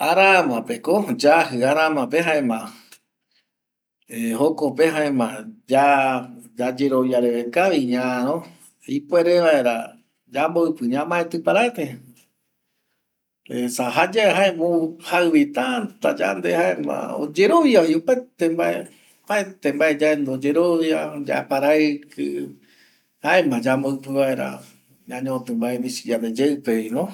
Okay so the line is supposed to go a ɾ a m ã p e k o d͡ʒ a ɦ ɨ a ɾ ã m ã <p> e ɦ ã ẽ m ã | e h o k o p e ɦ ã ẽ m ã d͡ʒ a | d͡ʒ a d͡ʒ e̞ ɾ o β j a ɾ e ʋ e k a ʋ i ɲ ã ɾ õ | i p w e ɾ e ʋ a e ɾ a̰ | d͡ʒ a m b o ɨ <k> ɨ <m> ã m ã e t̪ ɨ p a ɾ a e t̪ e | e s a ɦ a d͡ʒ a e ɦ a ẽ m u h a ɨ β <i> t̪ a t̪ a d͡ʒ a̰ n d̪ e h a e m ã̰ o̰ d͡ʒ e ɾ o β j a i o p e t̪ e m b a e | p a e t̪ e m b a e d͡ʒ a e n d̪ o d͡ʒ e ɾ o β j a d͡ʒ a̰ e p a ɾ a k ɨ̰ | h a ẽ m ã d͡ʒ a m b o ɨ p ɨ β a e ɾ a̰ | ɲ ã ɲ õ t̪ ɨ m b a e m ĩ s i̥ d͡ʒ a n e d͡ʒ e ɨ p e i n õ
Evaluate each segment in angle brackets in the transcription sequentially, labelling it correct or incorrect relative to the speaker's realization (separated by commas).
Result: correct, incorrect, incorrect, correct